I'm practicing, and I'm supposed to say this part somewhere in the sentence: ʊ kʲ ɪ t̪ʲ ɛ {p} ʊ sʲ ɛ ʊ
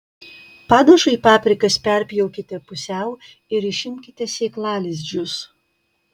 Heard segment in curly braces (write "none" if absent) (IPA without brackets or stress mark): p